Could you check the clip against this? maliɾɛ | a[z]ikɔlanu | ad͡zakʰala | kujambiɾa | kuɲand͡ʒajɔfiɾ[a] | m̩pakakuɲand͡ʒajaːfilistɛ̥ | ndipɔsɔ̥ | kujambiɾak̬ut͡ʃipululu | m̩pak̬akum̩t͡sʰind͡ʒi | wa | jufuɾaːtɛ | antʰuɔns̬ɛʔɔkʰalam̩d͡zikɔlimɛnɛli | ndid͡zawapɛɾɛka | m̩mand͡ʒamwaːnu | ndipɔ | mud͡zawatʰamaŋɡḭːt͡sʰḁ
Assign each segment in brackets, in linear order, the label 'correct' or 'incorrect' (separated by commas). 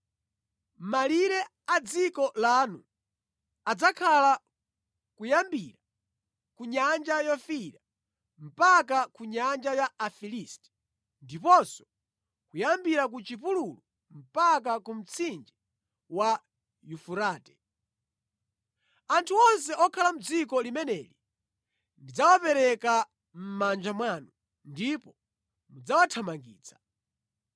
incorrect, correct